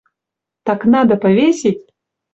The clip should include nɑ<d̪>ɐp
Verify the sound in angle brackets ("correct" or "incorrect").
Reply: correct